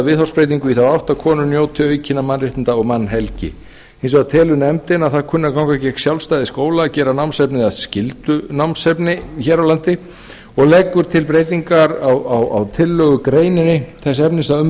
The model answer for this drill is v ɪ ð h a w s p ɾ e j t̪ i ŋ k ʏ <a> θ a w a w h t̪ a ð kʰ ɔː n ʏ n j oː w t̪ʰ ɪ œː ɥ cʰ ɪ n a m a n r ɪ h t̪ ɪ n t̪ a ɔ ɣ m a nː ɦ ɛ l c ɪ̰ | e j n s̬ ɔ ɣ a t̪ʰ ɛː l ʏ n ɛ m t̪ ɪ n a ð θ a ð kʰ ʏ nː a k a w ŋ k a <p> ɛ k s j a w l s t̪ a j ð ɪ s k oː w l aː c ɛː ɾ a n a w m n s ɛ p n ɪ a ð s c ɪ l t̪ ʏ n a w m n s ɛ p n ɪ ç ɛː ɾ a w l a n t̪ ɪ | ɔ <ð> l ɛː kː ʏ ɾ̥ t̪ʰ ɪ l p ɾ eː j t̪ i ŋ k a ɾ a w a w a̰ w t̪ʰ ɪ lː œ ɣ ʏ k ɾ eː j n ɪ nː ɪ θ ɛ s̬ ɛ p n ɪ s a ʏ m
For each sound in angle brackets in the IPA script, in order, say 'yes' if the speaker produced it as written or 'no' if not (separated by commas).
no, no, no